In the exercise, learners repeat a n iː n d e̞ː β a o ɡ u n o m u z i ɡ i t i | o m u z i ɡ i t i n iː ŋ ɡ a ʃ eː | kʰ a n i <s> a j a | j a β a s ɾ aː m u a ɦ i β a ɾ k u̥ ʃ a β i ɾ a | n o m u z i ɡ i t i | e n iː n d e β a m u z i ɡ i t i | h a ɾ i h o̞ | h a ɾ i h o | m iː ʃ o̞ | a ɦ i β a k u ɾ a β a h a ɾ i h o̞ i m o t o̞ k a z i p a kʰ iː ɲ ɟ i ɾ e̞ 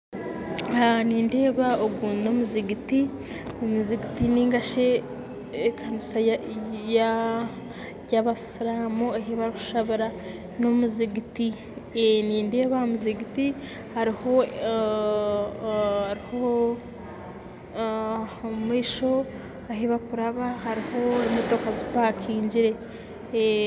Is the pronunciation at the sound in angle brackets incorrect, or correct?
correct